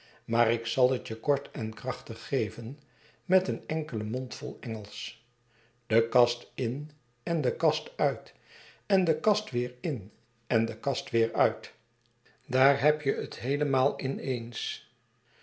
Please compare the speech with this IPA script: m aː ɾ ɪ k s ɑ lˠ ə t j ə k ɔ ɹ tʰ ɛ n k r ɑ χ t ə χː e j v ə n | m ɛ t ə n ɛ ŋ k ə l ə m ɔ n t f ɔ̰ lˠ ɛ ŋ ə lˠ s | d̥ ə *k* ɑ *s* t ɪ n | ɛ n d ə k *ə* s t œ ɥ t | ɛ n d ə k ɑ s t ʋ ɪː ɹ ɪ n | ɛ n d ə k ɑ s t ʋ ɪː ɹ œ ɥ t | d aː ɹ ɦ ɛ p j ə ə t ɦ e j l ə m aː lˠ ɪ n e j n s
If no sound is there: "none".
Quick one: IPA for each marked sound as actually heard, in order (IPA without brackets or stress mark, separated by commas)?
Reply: k, s, ɑ